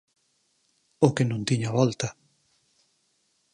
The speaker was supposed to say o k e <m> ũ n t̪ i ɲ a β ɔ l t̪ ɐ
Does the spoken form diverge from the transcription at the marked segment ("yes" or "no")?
yes